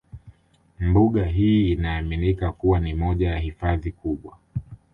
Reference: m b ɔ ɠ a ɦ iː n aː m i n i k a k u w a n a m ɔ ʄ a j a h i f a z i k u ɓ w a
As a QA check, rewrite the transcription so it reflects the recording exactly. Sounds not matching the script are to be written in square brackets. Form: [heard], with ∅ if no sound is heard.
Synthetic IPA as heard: m b [u] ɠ a ɦ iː n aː m i n i k a k u w a n [i] m ɔ ʄ a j a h i f a [ð] i k u ɓ w a